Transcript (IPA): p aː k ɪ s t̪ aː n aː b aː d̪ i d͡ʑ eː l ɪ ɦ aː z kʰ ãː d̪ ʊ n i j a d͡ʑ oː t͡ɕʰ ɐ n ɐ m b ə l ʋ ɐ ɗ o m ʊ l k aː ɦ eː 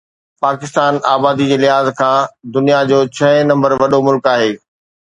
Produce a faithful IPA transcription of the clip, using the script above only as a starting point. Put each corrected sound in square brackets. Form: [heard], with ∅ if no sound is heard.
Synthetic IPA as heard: p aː k ɪ s t̪ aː n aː b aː d̪ i d͡ʑ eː l ɪ ɦ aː z kʰ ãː d̪ ʊ n i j a d͡ʑ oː t͡ɕʰ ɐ n [ɐ̃] m b ə [ɾ] ʋ ɐ ɗ o m ʊ l k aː ɦ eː